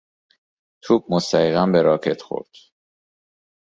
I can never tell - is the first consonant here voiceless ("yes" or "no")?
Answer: yes